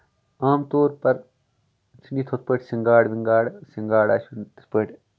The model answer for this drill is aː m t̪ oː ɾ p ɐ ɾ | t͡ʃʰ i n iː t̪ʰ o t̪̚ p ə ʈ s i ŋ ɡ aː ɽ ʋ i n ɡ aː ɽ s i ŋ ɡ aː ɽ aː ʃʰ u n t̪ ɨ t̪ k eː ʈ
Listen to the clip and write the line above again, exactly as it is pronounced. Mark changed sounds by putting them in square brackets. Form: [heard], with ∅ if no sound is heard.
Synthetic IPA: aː m t̪ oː ɾ p ɐ ɾ | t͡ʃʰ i n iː t̪ʰ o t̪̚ p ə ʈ s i ŋ ɡ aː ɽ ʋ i [ŋ] ɡ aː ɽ s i ŋ ɡ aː ɽ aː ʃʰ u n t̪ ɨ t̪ [p] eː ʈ